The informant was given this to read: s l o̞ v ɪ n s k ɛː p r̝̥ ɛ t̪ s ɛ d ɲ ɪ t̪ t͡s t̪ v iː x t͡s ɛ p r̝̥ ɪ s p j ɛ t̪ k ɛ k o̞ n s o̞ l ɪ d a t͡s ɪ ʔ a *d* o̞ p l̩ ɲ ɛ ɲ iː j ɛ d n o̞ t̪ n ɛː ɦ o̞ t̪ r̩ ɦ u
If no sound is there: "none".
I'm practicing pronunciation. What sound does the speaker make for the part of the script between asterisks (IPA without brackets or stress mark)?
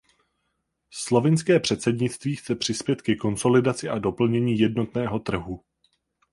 d